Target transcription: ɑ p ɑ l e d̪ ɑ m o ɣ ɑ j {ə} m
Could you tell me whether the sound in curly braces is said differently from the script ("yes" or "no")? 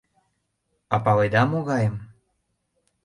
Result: no